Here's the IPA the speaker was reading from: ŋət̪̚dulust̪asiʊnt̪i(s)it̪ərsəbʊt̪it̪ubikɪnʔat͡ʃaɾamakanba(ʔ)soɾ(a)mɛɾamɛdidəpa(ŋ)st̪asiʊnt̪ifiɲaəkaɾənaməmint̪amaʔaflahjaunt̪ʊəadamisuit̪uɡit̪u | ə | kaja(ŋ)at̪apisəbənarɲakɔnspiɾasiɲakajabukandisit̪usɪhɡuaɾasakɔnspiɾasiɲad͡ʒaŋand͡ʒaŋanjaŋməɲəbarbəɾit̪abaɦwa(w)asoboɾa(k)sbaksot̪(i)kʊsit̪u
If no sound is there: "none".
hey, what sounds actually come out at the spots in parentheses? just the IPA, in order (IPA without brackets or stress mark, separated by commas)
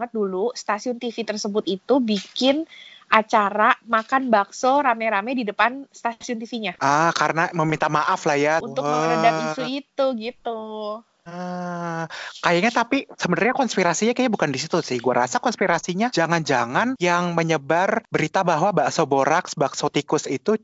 f, k, a, n, ɲ, b, k, i